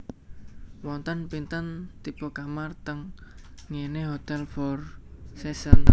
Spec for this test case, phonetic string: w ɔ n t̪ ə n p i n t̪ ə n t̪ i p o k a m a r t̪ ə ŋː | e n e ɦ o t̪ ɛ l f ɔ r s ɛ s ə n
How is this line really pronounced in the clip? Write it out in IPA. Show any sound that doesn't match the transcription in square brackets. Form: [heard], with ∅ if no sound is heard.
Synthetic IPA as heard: w ɔ n t̪ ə n p i n t̪ ə n t̪ i p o k a m a r t̪ ə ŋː | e n e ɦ o t̪ ɛ l f ɔ r s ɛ s ə n